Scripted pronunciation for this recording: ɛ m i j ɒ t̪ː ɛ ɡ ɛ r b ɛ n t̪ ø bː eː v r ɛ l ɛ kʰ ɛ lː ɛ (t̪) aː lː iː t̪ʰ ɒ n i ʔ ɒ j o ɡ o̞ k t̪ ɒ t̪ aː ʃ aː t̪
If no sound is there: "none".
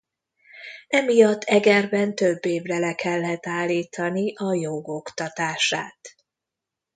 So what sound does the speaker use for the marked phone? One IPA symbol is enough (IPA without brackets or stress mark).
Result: t̪